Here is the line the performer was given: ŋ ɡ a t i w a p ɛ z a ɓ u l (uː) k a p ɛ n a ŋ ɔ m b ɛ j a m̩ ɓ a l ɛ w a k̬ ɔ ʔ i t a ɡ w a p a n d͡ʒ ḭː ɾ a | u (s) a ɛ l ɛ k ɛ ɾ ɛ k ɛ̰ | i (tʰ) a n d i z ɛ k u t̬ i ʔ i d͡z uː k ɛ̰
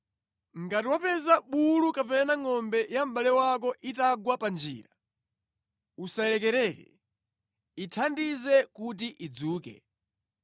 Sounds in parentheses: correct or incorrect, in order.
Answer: incorrect, correct, correct

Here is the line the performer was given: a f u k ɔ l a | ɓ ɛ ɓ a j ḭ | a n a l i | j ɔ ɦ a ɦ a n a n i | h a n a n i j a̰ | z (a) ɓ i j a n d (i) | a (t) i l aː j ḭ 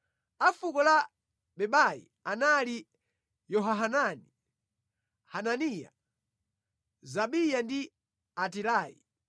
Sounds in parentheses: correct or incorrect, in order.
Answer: correct, correct, correct

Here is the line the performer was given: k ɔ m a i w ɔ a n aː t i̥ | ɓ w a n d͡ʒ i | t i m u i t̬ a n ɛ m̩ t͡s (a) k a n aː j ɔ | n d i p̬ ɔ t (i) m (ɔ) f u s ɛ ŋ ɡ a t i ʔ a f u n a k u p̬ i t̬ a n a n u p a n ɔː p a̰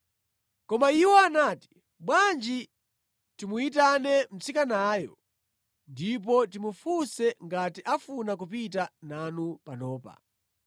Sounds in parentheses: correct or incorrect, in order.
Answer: incorrect, correct, incorrect

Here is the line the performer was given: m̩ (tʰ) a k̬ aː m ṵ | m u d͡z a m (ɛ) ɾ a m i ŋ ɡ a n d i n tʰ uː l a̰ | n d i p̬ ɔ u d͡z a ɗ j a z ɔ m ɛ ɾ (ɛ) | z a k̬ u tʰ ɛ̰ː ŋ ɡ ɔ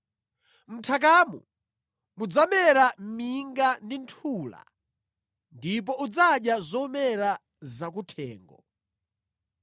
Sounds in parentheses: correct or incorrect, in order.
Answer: correct, correct, incorrect

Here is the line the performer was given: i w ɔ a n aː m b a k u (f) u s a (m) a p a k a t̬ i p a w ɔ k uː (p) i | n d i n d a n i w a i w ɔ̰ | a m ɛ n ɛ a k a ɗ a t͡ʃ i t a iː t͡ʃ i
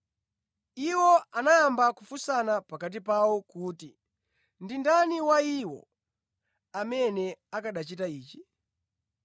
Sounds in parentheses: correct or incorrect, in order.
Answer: correct, incorrect, incorrect

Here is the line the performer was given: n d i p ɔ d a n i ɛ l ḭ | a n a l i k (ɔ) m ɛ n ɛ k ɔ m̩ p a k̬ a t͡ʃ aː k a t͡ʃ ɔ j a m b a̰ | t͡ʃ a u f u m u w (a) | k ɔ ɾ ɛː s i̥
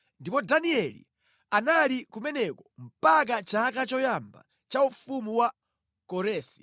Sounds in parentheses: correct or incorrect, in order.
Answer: incorrect, correct

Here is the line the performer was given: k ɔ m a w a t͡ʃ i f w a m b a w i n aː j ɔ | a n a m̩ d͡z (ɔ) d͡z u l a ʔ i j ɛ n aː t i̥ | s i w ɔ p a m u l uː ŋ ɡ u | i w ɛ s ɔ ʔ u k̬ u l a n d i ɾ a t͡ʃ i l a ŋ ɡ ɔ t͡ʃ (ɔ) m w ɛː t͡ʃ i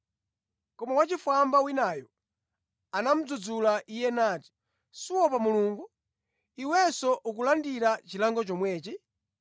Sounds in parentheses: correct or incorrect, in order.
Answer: incorrect, correct

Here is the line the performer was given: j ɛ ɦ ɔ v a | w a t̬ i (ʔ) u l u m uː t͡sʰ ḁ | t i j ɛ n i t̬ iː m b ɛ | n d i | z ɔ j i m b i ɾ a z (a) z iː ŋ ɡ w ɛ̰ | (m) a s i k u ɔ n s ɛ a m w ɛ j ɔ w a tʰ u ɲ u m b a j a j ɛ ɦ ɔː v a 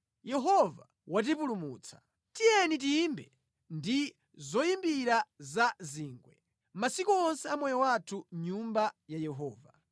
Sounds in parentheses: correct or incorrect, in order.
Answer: incorrect, correct, correct

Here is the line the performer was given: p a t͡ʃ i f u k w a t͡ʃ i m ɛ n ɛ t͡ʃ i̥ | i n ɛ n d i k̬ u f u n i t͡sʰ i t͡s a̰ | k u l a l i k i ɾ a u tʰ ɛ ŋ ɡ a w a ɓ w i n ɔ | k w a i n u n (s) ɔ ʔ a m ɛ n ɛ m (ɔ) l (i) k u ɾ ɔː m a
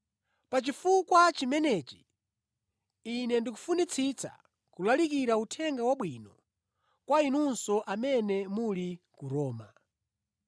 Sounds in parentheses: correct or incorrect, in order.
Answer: correct, incorrect, correct

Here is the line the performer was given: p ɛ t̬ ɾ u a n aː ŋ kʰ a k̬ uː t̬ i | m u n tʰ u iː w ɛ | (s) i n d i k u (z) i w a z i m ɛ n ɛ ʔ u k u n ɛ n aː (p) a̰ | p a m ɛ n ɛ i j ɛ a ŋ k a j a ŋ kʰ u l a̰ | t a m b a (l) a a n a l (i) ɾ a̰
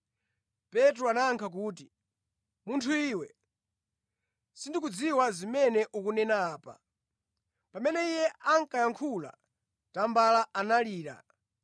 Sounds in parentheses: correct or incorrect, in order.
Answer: correct, incorrect, correct, correct, incorrect

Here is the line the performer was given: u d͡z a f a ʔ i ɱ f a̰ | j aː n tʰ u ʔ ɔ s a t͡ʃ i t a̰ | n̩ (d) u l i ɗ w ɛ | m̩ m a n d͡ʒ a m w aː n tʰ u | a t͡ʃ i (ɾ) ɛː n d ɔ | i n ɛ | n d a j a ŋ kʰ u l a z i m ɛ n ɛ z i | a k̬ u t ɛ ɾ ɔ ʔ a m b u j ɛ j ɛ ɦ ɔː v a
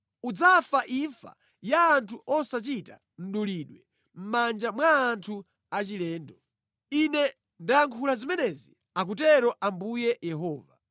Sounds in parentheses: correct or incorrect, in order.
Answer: incorrect, incorrect

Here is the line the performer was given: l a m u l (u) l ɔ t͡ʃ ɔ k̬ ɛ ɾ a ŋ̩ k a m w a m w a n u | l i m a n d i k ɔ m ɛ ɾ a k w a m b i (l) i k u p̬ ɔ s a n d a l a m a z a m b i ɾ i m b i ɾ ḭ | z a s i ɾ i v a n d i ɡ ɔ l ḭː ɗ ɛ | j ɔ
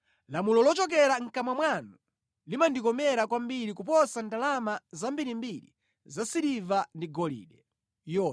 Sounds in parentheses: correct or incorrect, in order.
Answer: incorrect, incorrect

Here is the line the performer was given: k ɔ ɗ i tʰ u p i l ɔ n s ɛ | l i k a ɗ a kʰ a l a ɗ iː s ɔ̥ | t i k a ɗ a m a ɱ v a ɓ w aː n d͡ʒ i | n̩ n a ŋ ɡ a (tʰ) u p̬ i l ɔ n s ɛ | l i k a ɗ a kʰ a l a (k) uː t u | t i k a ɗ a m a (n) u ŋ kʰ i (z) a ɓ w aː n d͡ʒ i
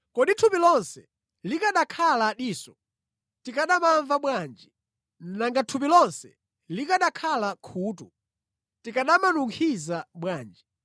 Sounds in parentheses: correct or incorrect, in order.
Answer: correct, incorrect, correct, correct

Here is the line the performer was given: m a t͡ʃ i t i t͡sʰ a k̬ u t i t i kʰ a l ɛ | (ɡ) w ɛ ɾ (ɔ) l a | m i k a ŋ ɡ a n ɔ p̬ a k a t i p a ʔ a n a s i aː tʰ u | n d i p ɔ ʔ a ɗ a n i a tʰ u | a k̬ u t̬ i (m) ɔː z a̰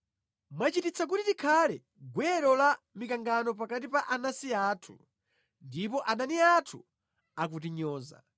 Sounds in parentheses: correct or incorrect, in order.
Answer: correct, correct, incorrect

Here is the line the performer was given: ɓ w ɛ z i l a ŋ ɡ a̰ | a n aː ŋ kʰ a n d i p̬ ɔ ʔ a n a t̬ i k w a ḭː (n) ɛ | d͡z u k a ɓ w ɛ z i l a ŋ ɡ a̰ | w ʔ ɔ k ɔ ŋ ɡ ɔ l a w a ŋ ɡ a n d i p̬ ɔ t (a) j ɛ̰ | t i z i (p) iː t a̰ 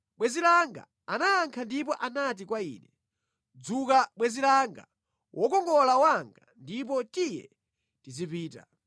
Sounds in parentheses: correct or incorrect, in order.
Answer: correct, incorrect, correct

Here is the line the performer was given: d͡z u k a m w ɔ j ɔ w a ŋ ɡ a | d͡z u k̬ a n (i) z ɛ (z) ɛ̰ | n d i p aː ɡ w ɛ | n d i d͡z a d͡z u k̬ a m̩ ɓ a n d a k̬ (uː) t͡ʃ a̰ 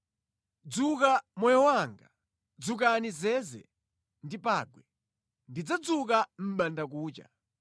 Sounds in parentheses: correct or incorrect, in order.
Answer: correct, correct, correct

